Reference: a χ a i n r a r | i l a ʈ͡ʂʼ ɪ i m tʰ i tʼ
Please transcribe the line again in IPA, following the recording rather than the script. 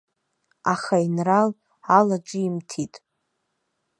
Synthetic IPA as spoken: a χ a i n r a l | a l a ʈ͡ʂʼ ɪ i m tʰ i tʼ